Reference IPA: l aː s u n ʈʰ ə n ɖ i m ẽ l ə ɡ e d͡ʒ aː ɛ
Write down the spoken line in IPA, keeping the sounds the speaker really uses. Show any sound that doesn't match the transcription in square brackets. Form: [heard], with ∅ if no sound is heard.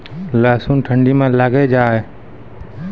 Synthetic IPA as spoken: l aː s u n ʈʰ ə [ɳ] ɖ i m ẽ l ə ɡ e d͡ʒ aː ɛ